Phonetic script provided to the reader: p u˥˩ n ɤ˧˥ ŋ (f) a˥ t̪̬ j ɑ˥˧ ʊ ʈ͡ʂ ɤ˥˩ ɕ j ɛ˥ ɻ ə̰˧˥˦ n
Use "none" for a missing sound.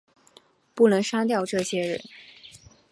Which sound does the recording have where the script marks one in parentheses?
ʂ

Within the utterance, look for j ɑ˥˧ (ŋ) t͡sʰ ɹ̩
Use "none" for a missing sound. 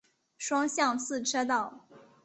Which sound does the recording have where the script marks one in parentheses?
ŋ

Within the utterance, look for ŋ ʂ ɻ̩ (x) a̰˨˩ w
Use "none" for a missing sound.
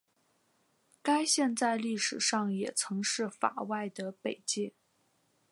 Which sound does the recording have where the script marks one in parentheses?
f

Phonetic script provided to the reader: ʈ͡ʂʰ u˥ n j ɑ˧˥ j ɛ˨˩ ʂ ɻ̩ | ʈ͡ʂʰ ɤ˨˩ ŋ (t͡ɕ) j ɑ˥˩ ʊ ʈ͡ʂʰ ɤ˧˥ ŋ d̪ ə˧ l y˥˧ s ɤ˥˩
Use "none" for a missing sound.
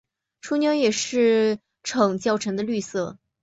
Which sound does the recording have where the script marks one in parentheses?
t͡ɕ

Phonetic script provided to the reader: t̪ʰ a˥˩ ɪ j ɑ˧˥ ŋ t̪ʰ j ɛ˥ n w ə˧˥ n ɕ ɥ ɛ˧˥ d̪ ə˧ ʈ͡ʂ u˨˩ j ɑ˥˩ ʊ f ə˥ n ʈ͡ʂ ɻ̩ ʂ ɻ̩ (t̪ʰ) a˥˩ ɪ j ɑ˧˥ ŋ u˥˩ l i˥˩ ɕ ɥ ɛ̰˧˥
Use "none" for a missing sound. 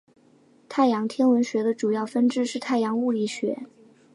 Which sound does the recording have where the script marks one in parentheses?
t̪ʰ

